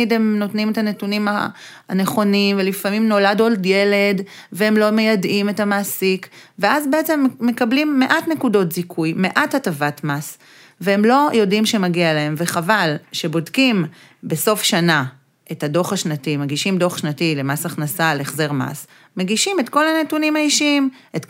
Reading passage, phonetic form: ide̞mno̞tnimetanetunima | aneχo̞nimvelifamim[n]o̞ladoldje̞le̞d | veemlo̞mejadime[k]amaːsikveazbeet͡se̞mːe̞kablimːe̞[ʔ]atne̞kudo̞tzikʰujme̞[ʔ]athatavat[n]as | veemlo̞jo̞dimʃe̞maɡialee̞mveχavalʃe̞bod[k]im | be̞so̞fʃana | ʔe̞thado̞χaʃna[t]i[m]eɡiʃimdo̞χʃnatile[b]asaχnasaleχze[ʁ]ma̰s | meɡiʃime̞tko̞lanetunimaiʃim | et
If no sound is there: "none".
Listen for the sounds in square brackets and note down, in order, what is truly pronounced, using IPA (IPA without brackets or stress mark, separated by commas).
n, t, ʔ, ʔ, m, k, t, m, m, ʁ